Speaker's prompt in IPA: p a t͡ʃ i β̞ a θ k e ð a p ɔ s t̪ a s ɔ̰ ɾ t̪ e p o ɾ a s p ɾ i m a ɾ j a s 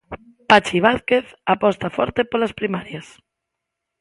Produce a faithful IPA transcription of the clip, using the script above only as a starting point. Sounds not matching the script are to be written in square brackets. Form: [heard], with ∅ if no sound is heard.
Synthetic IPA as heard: p a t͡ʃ i β̞ a θ k e [θ] a p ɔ s t̪ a [f] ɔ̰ ɾ t̪ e p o [l] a s p ɾ i m a ɾ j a s